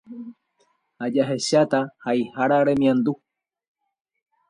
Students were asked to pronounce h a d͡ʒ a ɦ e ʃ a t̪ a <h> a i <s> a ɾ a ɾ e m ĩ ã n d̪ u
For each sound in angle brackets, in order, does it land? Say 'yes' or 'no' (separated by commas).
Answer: yes, no